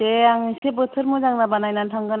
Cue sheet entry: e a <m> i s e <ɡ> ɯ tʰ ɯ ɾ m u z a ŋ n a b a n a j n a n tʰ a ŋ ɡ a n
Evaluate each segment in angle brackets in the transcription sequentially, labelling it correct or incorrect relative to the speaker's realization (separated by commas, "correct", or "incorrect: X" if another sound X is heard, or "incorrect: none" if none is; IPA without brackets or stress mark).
incorrect: ŋ, incorrect: b